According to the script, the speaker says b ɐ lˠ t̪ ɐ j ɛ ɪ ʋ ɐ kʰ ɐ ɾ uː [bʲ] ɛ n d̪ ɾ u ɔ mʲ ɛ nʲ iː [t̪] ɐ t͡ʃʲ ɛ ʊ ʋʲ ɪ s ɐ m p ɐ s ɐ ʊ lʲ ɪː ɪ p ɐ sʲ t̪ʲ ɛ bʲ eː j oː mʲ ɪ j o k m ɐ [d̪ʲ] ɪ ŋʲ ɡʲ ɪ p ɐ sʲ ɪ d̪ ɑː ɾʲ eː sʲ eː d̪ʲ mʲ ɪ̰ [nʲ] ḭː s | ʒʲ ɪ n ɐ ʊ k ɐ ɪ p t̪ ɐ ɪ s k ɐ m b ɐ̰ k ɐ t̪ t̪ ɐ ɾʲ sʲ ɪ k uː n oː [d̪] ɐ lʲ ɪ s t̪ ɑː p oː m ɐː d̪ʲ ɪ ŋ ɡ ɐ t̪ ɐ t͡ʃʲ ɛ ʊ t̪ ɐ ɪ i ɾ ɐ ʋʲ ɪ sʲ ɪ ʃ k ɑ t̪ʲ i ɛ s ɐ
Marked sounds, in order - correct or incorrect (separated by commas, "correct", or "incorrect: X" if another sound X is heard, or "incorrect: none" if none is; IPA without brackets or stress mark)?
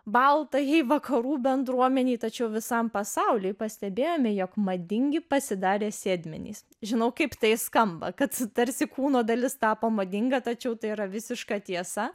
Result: correct, correct, correct, correct, correct